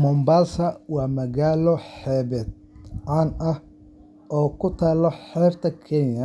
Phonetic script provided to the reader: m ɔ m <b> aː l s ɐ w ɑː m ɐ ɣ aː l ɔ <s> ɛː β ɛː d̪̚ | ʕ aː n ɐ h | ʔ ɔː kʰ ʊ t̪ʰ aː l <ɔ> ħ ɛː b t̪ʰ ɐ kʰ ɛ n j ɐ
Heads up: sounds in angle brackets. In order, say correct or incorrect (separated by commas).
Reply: correct, incorrect, correct